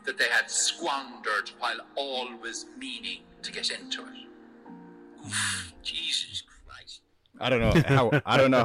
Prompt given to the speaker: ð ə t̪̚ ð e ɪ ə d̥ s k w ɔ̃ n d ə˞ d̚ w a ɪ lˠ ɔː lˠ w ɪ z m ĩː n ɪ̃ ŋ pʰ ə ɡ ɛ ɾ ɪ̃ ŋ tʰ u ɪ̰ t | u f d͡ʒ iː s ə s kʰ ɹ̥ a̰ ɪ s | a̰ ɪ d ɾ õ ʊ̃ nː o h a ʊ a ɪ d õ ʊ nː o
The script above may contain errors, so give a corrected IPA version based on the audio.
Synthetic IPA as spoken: ð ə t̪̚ ð e ɪ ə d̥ s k w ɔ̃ n d ə˞ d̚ w a ɪ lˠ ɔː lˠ w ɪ z m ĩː n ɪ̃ ŋ tʰ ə ɡ ɛ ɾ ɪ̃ n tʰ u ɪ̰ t | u f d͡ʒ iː z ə s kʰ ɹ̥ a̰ ɪ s | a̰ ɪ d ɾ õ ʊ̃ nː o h a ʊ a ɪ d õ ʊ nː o